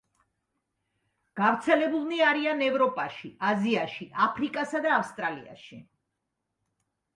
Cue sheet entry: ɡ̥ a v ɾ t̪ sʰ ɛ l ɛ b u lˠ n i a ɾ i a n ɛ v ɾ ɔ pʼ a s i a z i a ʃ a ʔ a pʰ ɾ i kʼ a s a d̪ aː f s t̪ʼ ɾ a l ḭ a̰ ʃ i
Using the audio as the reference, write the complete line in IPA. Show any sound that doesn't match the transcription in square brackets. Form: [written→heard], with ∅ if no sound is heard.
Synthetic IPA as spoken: ɡ̥ a v ɾ t̪ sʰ ɛ l ɛ b u lˠ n i a ɾ i a n ɛ v ɾ ɔ pʼ a [s→ʃ] i a z i a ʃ [a→i] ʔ a pʰ ɾ i kʼ a s a d̪ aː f s t̪ʼ ɾ a l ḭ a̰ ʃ i